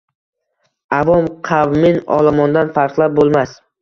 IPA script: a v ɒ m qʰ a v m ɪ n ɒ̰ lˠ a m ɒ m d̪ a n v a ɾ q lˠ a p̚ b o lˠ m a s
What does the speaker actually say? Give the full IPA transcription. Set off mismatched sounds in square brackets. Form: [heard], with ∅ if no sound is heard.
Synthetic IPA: a v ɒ m qʰ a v m ɪ n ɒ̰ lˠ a m ɒ [n] d̪ a n [f] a ɾ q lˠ a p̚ b o lˠ m a s